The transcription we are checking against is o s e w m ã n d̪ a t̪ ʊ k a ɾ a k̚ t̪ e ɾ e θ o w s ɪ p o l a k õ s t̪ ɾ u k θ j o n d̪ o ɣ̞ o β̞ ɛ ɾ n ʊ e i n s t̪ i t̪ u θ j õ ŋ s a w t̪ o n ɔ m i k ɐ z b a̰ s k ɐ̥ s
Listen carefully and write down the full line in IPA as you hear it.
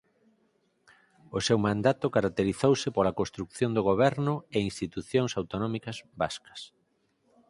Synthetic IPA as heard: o s e w m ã n d̪ a t̪ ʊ k a ɾ a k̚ t̪ e ɾ i θ o w s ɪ p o l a k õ s t̪ ɾ u k θ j o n d̪ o ɣ̞ o β̞ ɛ ɾ n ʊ e i n s t̪ i t̪ u θ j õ ŋ s a w t̪ o n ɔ m i k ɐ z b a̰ s k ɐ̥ s